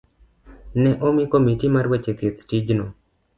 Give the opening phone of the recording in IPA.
n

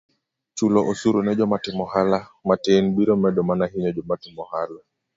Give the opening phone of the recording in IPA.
t͡ʃ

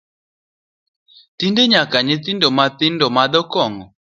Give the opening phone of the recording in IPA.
t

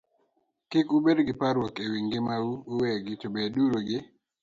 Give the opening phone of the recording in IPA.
k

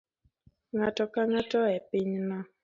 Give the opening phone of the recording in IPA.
ŋ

